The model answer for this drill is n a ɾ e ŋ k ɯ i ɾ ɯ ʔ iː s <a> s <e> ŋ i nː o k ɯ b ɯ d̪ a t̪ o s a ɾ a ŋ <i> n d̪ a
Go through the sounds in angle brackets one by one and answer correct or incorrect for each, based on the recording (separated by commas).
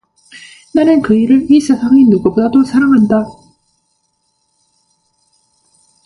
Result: correct, incorrect, incorrect